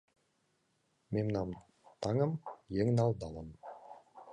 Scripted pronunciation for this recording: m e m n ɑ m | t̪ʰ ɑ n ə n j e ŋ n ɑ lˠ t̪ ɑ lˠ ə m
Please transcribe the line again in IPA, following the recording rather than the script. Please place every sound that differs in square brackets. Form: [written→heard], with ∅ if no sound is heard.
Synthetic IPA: m e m n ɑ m | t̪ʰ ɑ [n→ŋ] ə [n→m] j e ŋ n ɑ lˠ [t̪→d̪] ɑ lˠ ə m